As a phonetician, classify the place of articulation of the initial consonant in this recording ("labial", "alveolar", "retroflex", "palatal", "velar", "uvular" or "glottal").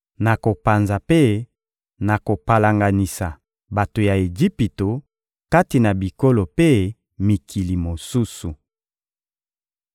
alveolar